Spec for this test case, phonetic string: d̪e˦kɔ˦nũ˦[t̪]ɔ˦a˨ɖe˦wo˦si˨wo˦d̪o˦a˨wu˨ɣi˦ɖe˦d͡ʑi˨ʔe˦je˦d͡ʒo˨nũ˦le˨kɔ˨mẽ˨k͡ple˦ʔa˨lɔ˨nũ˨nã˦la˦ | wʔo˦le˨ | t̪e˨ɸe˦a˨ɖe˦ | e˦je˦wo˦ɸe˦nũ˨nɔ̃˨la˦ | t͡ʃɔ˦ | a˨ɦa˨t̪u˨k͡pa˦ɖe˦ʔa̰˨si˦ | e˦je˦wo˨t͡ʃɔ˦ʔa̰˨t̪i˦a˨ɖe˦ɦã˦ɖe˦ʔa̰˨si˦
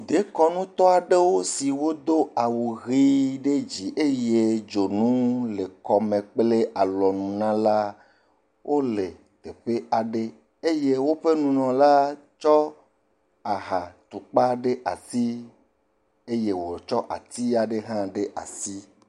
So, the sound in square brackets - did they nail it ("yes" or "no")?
yes